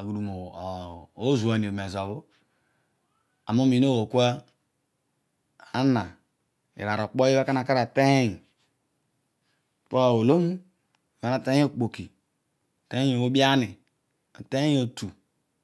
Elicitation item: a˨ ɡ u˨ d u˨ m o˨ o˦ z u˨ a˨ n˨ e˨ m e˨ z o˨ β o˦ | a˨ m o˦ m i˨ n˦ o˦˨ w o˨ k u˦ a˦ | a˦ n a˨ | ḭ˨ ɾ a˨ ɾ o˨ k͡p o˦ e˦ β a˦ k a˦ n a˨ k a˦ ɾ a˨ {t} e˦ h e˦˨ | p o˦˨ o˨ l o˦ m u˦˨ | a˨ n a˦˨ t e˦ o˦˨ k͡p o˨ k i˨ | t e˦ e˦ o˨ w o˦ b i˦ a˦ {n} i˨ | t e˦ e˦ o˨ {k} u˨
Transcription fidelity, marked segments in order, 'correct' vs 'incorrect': correct, correct, incorrect

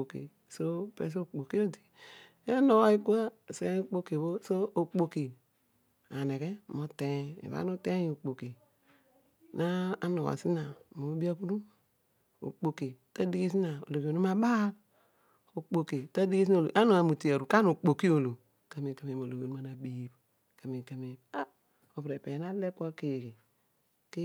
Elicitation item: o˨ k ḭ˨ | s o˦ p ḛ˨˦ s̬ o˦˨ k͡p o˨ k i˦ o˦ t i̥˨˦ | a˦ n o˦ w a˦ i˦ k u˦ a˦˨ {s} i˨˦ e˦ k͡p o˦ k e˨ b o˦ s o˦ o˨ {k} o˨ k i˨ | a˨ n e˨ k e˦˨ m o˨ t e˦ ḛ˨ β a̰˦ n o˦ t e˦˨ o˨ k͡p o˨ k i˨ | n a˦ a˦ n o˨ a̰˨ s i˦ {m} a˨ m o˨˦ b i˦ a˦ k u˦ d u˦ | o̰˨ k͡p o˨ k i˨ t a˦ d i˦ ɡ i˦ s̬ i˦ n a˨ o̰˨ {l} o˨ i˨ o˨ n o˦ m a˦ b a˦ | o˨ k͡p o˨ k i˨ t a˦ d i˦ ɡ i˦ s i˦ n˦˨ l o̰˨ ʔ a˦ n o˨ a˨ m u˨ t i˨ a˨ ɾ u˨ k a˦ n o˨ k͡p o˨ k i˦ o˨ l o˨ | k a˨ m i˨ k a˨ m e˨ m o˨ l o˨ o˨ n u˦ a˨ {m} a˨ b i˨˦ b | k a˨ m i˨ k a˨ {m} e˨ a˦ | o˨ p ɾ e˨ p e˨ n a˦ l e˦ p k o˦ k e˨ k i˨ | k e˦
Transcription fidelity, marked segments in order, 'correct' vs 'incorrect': correct, incorrect, incorrect, correct, incorrect, correct

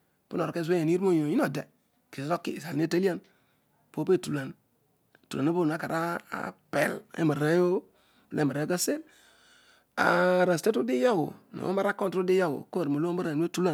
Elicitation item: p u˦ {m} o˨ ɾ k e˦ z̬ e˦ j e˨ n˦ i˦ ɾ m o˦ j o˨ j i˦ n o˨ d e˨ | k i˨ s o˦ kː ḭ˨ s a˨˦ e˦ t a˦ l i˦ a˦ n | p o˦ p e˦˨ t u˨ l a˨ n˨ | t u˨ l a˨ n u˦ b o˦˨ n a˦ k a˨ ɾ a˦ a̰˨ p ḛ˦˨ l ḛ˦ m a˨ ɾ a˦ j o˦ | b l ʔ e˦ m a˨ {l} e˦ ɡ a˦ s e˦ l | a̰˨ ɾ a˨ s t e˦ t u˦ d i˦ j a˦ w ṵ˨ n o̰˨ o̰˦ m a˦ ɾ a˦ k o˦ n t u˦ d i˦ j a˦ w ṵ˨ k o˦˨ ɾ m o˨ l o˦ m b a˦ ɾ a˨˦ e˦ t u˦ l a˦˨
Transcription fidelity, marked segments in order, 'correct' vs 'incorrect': incorrect, incorrect

